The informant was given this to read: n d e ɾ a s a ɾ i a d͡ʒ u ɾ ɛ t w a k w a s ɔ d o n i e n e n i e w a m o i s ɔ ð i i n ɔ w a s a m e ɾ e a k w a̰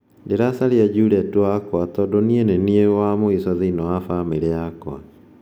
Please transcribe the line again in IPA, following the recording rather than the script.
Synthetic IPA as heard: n d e ɾ a s a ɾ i a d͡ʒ u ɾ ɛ t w a k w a t ɔ d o n i e n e n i e w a m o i s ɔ ð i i n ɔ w a f a m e ɾ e a k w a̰